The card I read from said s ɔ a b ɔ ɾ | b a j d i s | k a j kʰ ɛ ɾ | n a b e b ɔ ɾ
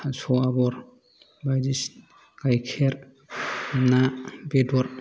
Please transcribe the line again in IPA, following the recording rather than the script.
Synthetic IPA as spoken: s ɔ a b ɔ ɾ | b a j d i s | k a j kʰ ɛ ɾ | n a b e d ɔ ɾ